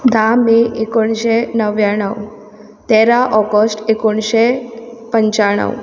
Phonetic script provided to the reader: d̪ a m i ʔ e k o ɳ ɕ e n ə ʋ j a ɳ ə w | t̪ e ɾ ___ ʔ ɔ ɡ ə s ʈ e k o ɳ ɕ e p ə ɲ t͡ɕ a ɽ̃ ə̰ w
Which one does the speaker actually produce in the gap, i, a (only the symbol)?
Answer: a